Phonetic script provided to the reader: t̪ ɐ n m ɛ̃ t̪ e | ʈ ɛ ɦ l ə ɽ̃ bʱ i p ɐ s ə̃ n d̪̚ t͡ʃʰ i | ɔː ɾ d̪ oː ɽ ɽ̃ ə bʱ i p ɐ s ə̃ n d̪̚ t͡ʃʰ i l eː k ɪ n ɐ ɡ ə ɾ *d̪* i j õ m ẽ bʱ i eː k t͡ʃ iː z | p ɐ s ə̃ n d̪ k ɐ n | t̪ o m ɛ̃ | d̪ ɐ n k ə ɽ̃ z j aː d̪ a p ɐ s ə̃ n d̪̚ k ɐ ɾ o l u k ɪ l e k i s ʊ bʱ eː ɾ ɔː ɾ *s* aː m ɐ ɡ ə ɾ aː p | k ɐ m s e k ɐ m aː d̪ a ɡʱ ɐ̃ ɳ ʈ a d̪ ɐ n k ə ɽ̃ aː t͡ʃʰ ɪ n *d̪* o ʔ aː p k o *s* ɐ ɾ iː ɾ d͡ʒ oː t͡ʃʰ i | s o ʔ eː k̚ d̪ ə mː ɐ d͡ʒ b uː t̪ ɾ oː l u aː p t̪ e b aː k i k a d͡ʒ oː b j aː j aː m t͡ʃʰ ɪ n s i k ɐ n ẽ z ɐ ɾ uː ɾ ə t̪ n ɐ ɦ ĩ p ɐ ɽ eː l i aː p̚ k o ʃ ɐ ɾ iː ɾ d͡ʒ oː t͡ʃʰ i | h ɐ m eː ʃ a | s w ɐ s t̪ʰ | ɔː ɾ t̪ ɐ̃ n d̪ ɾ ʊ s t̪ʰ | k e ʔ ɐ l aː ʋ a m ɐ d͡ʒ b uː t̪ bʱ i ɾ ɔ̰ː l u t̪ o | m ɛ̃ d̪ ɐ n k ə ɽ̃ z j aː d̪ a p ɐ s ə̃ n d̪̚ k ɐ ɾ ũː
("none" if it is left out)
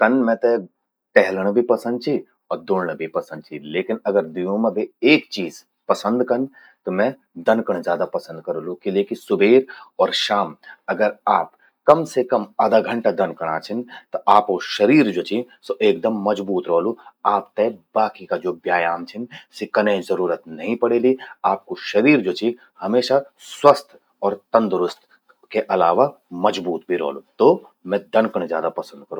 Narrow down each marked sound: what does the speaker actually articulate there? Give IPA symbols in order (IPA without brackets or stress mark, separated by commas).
d̪, ʃ, t̪, ʃ